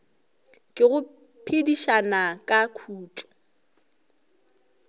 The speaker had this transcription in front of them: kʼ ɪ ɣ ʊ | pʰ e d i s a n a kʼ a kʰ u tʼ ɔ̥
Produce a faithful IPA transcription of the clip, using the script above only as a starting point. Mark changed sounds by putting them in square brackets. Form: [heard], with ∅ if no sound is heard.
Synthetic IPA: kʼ ɪ ɣ ʊ | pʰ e d i [ʃ] a n a kʼ a kʰ [uː] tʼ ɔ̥